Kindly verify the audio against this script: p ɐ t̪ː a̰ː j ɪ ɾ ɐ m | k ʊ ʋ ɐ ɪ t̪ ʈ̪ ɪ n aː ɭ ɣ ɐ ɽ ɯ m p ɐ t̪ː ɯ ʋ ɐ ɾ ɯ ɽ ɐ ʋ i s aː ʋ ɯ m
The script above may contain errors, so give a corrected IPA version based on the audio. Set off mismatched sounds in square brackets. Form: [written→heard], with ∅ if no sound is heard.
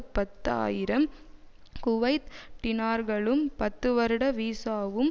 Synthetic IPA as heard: p ɐ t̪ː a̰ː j ɪ ɾ ɐ m | k ʊ ʋ ɐ ɪ t̪ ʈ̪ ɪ n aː [ɭ→ɾ] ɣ ɐ [ɽ→ɭ] ɯ m p ɐ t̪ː ɯ ʋ ɐ ɾ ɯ ɽ ɐ ʋ [i→iː] s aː ʋ ɯ m